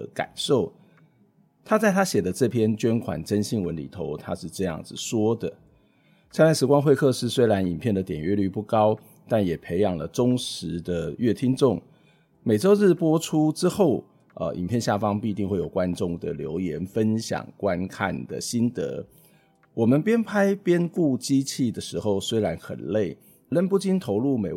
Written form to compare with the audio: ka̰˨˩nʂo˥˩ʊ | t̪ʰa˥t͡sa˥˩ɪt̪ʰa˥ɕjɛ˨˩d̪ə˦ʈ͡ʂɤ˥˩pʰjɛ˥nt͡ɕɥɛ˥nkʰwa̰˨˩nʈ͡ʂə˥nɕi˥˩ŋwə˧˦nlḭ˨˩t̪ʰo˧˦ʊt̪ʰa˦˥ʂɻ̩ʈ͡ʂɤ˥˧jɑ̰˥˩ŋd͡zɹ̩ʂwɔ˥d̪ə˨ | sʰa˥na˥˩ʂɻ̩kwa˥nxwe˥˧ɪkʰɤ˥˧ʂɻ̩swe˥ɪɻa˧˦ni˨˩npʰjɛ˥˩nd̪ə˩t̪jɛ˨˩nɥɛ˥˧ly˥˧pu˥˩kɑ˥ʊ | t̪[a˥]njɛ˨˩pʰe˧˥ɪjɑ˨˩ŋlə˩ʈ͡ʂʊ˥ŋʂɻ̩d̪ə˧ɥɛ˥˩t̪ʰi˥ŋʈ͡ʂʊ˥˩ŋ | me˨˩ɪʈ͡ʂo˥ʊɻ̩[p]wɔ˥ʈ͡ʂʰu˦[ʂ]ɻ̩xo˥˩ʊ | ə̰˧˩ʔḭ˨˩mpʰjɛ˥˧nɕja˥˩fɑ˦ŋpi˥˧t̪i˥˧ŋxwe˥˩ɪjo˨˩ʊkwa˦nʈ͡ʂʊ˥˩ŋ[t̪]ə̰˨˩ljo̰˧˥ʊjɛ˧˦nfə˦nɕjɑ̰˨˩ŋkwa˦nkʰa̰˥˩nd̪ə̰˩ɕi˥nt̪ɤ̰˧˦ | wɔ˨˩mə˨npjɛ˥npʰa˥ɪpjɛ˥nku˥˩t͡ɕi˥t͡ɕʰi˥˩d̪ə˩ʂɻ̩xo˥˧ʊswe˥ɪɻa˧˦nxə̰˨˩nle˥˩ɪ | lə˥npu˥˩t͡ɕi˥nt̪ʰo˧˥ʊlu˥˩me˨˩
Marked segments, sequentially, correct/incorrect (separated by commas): incorrect, correct, incorrect, incorrect